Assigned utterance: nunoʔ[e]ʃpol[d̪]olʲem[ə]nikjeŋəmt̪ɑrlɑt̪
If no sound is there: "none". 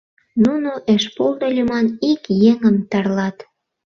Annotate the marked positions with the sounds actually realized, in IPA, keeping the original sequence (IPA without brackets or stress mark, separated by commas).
e, d̪, ɑ